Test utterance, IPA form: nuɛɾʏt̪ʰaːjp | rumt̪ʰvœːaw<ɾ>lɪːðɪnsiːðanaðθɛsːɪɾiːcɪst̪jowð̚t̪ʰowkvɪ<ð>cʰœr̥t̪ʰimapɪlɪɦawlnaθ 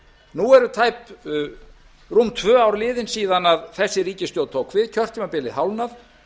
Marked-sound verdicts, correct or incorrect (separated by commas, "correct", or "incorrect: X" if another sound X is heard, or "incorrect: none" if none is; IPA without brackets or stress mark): correct, correct